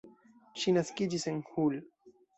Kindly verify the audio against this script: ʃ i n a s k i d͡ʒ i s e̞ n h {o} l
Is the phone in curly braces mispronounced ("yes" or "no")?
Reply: yes